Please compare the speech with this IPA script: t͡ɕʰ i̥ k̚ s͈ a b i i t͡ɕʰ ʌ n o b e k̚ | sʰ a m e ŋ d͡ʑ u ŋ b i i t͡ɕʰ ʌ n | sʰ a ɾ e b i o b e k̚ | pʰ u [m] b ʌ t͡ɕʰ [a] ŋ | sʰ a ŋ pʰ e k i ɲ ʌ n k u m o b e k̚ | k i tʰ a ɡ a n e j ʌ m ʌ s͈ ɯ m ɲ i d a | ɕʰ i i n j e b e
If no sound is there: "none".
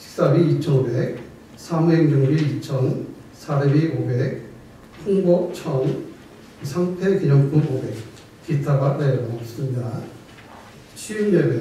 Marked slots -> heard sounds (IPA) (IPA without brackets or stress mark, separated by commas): ŋ, ʌ